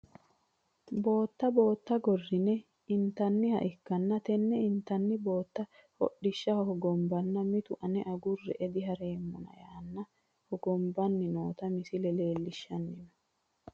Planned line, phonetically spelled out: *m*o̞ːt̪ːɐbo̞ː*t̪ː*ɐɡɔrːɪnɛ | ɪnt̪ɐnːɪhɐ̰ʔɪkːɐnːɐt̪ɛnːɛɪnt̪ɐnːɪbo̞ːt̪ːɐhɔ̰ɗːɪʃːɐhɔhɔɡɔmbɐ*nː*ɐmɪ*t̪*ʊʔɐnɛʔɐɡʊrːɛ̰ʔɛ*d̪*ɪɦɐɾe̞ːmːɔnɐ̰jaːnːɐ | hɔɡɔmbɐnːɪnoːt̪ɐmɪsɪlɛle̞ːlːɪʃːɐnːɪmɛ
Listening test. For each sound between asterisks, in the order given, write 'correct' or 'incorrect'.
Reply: incorrect, correct, correct, correct, correct

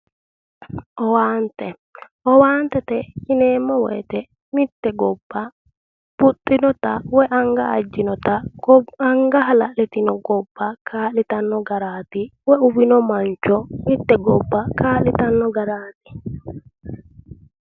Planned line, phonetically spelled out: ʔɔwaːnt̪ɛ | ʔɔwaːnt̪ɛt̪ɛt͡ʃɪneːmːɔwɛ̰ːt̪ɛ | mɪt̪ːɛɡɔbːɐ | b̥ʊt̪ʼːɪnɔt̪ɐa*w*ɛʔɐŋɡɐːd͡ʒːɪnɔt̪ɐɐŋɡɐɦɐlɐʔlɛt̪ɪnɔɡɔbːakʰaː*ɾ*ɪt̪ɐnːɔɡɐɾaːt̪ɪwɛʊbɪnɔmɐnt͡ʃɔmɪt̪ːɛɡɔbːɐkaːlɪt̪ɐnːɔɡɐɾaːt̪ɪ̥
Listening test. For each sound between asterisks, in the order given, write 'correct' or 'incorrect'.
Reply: correct, incorrect

